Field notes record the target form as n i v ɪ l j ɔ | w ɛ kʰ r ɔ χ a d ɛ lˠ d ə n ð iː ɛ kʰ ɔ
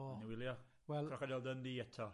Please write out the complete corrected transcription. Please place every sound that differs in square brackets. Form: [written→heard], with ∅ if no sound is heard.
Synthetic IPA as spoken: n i [v→w] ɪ l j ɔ | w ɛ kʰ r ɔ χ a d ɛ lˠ d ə n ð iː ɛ [kʰ→tʰ] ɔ